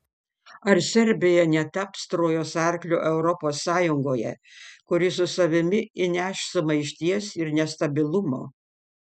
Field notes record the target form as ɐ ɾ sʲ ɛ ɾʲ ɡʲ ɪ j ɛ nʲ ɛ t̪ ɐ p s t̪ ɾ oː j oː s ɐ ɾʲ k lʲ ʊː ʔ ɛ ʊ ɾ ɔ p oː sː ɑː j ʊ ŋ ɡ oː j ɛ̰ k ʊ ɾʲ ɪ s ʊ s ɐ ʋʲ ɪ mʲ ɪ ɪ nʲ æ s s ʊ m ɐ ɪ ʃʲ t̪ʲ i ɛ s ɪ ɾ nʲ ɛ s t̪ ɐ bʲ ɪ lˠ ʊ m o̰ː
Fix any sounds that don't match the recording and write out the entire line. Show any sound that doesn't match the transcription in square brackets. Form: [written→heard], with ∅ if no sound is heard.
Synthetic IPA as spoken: ɐ ɾ sʲ ɛ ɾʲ [ɡʲ→bʲ] ɪ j ɛ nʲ ɛ t̪ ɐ p s t̪ ɾ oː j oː s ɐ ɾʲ k lʲ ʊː ʔ ɛ ʊ ɾ ɔ p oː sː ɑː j ʊ ŋ ɡ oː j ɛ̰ k ʊ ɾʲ ɪ s ʊ s ɐ ʋʲ ɪ mʲ ɪ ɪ nʲ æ [s→ʃ] s ʊ m ɐ ɪ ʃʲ t̪ʲ i ɛ s ɪ ɾ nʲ ɛ s t̪ ɐ bʲ ɪ lˠ ʊ m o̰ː